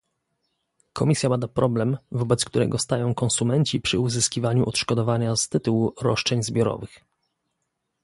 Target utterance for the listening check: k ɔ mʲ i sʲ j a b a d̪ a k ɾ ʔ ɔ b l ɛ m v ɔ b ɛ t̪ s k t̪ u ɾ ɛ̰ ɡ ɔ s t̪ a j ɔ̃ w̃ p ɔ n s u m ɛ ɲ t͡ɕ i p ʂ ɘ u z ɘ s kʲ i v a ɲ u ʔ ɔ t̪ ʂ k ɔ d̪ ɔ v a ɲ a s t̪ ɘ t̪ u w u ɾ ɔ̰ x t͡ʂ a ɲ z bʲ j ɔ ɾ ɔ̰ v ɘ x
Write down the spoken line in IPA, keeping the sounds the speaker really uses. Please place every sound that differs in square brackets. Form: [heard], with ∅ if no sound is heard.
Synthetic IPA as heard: k ɔ mʲ i sʲ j a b a d̪ a [p] ɾ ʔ ɔ b l ɛ m v ɔ b ɛ t̪ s k t̪ u ɾ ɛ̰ ɡ ɔ s t̪ a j ɔ̃ w̃ [k] ɔ n s u m ɛ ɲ t͡ɕ i p ʂ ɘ u z ɘ s kʲ i v a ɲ u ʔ ɔ t̪ ʂ k ɔ d̪ ɔ v a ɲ a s t̪ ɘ t̪ u w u ɾ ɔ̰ [ʂ] t͡ʂ [ɛ] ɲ z bʲ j ɔ ɾ ɔ̰ v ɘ x